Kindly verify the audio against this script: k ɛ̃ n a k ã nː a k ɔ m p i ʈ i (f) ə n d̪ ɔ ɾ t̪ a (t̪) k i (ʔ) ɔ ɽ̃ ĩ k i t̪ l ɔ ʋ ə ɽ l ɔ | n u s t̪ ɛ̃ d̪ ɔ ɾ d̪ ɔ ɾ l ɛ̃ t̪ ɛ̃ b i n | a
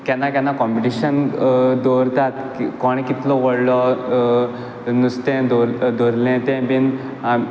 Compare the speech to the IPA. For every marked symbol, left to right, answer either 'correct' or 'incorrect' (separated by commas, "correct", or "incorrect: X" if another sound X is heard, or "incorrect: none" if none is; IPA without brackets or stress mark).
incorrect: ɕ, correct, incorrect: k